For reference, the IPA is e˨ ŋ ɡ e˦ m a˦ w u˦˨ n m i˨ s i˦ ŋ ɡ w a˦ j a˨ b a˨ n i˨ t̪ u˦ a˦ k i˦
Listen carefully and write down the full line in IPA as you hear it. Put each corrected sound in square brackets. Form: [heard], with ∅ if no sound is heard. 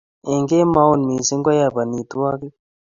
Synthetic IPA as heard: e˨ ŋ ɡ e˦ m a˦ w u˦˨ n m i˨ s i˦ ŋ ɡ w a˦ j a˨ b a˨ n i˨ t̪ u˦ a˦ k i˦